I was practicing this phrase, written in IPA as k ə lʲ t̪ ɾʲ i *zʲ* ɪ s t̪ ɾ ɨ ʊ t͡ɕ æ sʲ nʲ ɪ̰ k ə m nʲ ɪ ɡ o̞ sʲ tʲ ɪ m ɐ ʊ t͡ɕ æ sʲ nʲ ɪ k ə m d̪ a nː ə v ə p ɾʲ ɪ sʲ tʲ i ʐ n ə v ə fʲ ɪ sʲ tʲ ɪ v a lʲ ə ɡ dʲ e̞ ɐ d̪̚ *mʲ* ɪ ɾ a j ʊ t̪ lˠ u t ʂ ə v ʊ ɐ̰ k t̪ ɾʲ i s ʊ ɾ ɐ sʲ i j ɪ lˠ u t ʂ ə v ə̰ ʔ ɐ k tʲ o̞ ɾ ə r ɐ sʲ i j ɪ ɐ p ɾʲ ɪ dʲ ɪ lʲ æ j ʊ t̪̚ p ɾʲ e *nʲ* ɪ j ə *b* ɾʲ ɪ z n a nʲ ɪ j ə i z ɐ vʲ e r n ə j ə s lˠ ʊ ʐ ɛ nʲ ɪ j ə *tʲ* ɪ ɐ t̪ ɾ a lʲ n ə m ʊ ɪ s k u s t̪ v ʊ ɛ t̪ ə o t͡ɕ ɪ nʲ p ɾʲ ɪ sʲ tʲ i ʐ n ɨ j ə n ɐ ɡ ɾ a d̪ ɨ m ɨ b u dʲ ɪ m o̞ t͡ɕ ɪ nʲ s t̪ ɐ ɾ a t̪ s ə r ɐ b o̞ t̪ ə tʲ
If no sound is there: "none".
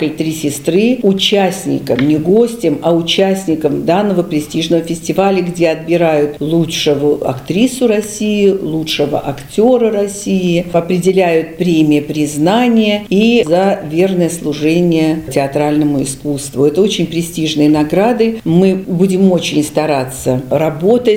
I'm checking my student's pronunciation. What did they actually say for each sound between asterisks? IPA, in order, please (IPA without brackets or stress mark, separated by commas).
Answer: sʲ, bʲ, mʲ, p, tʲ